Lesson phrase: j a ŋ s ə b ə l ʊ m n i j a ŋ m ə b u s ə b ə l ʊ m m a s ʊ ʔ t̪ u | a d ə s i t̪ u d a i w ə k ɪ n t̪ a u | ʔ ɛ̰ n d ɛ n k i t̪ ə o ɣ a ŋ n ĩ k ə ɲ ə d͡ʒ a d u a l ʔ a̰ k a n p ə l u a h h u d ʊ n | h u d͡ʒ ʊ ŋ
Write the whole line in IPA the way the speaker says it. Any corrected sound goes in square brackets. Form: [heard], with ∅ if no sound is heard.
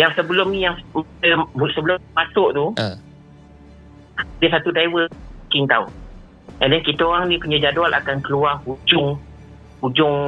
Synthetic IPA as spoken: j a ŋ s ə b ə l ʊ m n i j a ŋ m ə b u s ə b ə l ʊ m m a s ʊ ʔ t̪ u | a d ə s [a] t̪ u d a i w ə k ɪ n t̪ a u | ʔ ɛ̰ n d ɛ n k i t̪ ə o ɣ a ŋ n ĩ k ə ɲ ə d͡ʒ a d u a l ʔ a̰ k a n [k] ə l u a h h u [d͡ʒ] ʊ [ŋ] | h u d͡ʒ ʊ ŋ